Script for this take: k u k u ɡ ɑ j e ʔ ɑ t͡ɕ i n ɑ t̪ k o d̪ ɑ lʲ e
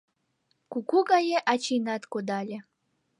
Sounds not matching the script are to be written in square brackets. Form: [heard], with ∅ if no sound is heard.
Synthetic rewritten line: k u k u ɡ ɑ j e ʔ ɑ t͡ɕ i n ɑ t̪ k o d̪ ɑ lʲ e